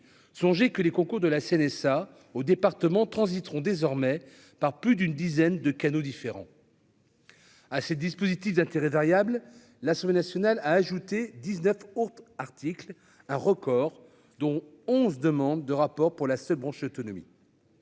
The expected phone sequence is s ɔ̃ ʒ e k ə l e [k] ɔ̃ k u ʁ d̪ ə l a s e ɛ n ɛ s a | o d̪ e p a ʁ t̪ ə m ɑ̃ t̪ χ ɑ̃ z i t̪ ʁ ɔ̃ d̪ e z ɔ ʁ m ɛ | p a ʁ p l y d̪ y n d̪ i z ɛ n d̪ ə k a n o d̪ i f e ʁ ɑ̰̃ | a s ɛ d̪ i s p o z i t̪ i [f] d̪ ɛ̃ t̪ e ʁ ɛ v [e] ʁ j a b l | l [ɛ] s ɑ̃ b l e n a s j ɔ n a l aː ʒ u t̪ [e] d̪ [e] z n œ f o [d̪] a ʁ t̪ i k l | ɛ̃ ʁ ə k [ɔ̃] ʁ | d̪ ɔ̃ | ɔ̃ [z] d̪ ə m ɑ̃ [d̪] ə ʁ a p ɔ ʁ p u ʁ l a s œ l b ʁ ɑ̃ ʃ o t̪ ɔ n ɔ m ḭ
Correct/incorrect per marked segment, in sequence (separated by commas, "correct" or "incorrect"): correct, correct, incorrect, incorrect, correct, incorrect, incorrect, incorrect, correct, incorrect